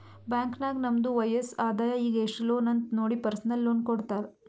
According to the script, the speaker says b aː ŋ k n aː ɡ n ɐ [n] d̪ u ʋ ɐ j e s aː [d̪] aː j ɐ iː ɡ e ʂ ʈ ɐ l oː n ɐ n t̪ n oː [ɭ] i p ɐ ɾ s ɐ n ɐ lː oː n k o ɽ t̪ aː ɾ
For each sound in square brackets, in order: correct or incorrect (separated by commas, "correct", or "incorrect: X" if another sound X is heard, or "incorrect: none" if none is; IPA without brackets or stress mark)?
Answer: incorrect: m, correct, incorrect: ɽ